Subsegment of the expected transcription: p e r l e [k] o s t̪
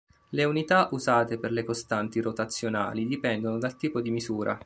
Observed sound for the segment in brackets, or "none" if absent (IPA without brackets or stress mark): k